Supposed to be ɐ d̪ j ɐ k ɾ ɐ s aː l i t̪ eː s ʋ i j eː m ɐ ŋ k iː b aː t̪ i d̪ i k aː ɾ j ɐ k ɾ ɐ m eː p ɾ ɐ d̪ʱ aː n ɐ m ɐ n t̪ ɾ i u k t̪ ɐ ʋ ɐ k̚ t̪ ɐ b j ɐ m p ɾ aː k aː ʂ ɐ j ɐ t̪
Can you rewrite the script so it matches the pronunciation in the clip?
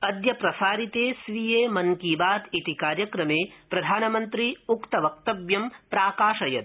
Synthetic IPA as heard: ɐ d̪ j ɐ p ɾ ɐ s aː ɾ i t̪ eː s ʋ i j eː m ɐ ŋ k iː b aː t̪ i t̪ i k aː ɾ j ɐ k ɾ ɐ m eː p ɾ ɐ d̪ʱ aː n ɐ m ɐ n t̪ ɾ i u k t̪ ɐ ʋ ɐ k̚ t̪ ɐ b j ɐ m p ɾ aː k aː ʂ ɐ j ɐ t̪